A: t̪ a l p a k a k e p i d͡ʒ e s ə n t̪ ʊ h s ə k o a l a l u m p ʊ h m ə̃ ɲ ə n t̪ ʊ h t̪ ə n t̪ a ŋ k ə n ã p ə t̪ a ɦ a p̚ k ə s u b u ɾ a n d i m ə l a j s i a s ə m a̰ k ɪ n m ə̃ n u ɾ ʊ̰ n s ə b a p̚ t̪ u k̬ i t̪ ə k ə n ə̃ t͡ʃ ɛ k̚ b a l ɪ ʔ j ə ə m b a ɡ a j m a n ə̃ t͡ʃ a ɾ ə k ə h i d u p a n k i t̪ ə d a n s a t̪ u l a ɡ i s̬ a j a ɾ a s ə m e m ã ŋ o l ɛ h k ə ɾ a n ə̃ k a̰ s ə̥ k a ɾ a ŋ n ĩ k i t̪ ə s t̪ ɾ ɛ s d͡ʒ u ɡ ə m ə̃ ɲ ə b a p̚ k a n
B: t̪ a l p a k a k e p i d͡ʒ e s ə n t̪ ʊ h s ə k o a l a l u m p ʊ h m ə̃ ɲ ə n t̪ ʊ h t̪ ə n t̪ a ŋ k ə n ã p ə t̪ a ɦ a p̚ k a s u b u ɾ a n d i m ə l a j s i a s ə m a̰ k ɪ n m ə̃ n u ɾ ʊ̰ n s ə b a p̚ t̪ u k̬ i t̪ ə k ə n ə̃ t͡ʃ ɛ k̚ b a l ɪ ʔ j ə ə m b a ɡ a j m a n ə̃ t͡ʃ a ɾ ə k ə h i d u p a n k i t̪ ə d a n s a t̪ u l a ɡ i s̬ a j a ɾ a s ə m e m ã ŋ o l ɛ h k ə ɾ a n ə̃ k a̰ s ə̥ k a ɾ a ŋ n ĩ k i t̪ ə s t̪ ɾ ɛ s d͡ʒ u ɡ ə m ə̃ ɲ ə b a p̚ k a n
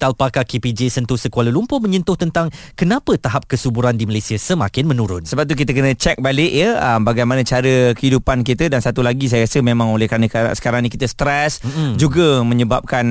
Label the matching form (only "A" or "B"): A